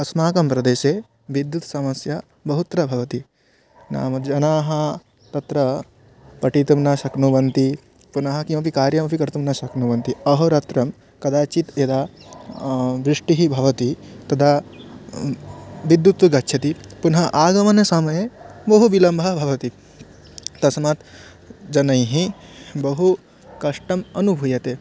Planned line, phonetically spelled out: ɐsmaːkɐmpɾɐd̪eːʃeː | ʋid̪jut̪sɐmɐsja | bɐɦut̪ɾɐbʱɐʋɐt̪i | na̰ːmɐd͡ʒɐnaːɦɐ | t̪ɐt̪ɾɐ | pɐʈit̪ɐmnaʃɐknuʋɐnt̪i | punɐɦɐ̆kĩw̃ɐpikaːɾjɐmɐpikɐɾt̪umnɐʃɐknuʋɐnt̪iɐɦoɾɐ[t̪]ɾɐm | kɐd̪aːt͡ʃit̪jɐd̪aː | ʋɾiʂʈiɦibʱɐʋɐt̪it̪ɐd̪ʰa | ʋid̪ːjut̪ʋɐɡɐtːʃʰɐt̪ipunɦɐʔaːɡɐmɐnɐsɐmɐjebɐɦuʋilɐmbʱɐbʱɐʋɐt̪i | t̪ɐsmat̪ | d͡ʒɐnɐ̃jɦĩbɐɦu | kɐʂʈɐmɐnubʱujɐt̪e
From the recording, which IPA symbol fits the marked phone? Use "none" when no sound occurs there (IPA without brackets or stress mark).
t̪